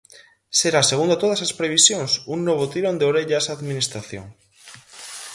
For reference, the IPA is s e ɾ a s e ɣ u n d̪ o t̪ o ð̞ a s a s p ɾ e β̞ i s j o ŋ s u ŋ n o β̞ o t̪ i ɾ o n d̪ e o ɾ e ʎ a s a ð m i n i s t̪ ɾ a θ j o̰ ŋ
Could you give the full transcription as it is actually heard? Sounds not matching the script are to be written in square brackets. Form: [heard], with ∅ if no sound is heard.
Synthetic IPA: s e ɾ a s e ɣ u n d̪ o t̪ o ð̞ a s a s p ɾ e β̞ i s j o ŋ s u ŋ n o β̞ o t̪ i ɾ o n d̪ e o ɾ e ʎ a s a ð m i n i s t̪ ɾ a θ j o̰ ŋ